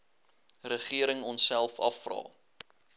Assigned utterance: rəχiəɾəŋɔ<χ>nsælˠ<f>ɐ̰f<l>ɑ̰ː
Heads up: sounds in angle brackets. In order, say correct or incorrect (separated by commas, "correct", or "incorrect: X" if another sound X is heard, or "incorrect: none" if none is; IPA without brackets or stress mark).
incorrect: none, correct, incorrect: r